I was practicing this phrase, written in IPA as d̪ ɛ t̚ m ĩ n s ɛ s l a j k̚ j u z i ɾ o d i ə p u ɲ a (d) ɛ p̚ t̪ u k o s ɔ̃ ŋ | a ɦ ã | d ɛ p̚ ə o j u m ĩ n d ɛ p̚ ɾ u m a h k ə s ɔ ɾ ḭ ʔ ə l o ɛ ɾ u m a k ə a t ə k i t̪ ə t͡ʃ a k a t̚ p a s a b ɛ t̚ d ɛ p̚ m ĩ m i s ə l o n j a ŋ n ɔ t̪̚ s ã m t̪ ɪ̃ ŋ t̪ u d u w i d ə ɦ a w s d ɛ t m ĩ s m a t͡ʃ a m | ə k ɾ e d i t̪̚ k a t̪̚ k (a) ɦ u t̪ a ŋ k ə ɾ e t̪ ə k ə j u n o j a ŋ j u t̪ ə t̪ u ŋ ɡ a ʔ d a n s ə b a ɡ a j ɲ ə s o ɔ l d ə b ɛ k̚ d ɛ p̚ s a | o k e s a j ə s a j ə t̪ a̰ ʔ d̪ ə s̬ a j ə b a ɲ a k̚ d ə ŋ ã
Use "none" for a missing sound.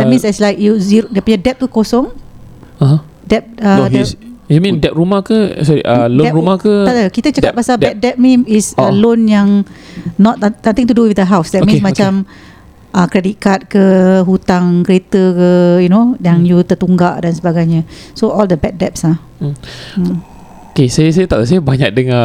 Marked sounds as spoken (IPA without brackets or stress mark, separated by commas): d, ə